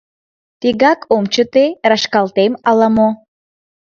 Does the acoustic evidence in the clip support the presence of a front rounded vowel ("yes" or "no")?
no